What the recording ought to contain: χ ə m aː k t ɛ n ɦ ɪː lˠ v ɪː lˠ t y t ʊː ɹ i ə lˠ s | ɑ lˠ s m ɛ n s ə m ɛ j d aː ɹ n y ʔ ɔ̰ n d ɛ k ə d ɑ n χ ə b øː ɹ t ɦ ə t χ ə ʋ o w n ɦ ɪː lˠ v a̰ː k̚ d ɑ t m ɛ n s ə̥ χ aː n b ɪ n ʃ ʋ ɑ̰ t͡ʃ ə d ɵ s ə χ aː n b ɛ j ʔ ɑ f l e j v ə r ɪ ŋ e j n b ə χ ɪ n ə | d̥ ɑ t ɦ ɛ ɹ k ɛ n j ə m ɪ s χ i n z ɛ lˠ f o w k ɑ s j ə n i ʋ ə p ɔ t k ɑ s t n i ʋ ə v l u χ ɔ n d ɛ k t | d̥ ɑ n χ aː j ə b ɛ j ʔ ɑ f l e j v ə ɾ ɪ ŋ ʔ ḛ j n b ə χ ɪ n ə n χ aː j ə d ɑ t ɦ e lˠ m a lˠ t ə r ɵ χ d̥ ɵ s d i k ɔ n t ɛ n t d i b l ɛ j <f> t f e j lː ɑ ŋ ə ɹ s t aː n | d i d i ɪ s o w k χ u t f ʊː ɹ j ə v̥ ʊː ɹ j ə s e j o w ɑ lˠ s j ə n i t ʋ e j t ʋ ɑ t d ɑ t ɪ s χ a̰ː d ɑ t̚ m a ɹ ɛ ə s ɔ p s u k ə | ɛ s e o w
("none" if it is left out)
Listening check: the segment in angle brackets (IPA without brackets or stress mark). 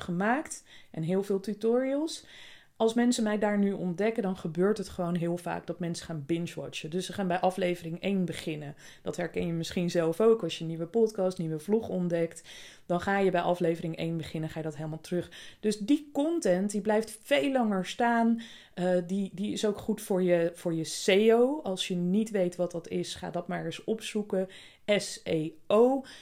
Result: f